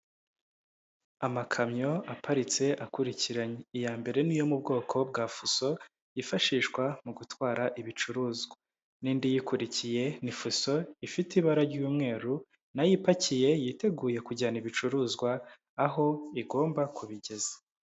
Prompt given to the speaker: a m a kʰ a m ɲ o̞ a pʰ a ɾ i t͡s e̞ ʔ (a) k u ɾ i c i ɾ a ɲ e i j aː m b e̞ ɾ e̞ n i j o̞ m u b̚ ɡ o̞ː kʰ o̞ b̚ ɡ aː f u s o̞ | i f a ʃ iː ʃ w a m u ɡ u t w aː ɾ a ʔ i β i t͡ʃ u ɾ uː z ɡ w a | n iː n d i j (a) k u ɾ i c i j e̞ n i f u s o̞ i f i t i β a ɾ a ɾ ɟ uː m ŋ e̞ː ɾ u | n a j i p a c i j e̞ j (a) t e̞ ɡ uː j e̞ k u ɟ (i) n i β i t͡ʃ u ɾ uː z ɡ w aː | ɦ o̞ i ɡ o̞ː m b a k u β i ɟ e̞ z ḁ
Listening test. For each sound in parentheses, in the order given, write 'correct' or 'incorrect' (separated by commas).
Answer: correct, incorrect, incorrect, incorrect